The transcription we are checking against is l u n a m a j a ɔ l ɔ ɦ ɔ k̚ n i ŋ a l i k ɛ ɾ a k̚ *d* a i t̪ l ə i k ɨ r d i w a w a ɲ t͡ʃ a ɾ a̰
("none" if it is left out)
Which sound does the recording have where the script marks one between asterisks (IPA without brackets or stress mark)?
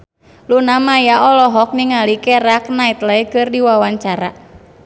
n